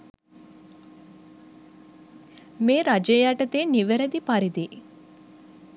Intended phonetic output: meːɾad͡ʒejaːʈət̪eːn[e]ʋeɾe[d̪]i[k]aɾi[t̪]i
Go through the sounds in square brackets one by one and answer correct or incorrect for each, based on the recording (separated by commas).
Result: incorrect, correct, incorrect, incorrect